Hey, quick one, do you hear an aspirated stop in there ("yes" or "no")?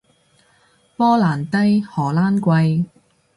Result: no